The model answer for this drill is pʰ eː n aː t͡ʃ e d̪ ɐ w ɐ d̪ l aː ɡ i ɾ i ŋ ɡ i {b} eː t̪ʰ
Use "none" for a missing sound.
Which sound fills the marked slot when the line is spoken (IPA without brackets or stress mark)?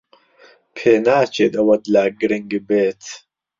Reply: b